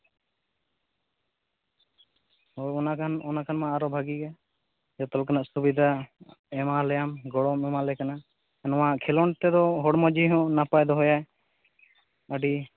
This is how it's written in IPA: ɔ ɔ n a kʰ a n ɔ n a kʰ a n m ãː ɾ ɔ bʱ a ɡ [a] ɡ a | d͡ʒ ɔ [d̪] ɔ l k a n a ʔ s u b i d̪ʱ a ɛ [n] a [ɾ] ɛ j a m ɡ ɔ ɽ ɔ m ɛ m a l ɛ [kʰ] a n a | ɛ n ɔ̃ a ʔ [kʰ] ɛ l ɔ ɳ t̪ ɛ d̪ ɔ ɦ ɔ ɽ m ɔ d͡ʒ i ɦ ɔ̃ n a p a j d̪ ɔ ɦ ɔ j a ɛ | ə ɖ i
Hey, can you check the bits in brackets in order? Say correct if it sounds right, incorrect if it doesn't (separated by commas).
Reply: incorrect, incorrect, incorrect, incorrect, incorrect, correct